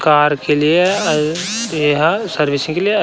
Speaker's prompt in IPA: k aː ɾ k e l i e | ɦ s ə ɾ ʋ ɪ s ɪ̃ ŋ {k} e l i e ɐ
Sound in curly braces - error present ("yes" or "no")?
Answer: no